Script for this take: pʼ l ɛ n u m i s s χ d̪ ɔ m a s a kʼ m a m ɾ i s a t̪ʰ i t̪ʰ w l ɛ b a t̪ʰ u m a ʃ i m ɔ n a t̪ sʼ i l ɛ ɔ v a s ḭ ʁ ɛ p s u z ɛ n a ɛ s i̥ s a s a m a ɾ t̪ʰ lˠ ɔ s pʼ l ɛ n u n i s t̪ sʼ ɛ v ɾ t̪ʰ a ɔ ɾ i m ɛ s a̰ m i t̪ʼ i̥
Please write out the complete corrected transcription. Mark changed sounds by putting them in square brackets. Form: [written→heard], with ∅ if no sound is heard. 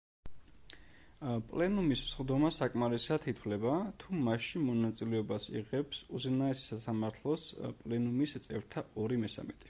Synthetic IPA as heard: pʼ l ɛ n u m i s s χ d̪ ɔ m a s a kʼ m a [m→∅] ɾ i s a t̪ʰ i t̪ʰ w l ɛ b a t̪ʰ u m a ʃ i m ɔ n a t̪ sʼ i l ɛ ɔ [v→b] a s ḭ ʁ ɛ p s u z ɛ n a ɛ s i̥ s a s a m a ɾ t̪ʰ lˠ ɔ s pʼ l ɛ n u [n→m] i s t̪ sʼ ɛ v ɾ t̪ʰ a ɔ ɾ i m ɛ s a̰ m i t̪ʼ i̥